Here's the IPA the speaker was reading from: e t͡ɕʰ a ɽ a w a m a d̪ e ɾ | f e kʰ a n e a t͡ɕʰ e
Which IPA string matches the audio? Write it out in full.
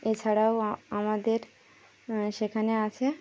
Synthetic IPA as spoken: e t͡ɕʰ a ɽ a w a m a d̪ e ɾ | ʃ e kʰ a n e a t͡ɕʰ e